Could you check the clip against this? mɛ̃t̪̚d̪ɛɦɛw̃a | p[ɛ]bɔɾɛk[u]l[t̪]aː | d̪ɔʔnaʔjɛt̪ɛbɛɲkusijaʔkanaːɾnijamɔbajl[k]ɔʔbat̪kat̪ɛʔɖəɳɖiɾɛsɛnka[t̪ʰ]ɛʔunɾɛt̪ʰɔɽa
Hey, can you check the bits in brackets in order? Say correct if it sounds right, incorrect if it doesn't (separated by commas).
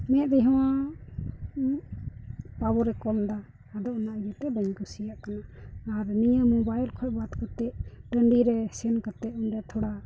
incorrect, incorrect, incorrect, incorrect, incorrect